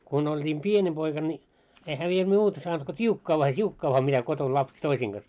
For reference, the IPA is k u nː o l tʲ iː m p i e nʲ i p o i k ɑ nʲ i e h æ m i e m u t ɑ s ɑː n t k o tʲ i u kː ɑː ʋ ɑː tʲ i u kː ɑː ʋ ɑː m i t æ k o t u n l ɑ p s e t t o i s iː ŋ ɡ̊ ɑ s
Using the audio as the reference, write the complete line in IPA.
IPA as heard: k u n o l tʲ iː m p i e nʲ i p o i k ɑ nʲ i e h æ m i e m uː t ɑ s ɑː n t k o tʲ i u kː ɑː ʋ ɑː tʲ i u kː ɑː ʋ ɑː m i t æ k o t o n l ɑ p s e t t o i s iː ŋ ɡ̊ ɑ s